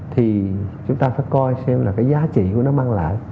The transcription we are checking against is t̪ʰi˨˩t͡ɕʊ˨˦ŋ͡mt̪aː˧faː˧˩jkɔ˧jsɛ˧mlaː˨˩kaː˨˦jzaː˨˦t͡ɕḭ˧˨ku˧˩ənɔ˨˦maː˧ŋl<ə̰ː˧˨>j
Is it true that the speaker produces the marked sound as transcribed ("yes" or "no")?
no